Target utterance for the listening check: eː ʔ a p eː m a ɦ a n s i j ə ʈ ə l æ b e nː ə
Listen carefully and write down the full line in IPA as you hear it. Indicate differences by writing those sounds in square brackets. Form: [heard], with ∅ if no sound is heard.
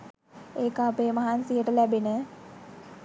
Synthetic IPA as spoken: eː [k] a p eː m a ɦ a n s i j ə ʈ ə l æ b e [n] ə